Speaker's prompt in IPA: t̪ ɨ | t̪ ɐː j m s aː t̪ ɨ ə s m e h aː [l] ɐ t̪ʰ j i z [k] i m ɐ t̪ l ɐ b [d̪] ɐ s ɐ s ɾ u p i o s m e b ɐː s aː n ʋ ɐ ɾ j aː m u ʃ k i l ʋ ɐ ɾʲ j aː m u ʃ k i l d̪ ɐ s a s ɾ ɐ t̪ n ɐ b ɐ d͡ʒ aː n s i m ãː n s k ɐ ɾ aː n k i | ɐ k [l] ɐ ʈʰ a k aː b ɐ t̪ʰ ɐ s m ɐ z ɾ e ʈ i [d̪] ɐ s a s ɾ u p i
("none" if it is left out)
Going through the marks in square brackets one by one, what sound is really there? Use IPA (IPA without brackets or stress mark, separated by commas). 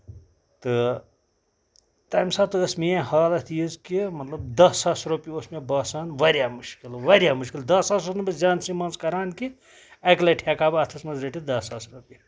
l, k, d̪, l, d̪